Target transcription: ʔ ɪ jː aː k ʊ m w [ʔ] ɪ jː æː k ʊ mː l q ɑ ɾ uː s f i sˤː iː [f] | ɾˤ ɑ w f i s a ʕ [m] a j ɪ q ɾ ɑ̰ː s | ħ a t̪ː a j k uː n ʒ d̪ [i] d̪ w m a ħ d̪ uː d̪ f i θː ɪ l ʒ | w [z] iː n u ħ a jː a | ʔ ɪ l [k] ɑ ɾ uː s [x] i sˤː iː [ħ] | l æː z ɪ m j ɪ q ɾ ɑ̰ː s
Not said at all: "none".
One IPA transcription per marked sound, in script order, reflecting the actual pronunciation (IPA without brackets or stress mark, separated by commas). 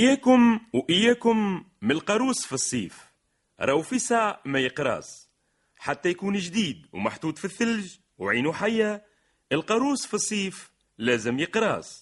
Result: ʔ, f, m, iː, ʕ, q, f, f